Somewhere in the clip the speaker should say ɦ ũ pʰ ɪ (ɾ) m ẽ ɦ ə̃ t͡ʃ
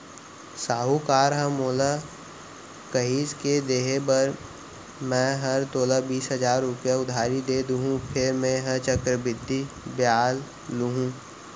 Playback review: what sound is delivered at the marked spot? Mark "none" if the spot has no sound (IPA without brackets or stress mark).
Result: ɾ